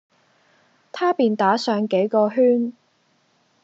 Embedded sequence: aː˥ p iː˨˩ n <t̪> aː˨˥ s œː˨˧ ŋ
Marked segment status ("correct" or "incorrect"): correct